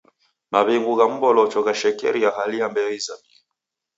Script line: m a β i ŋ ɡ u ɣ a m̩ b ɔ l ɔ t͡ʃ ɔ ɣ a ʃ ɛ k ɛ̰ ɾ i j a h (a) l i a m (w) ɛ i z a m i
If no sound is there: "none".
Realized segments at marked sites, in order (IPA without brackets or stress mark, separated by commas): a, b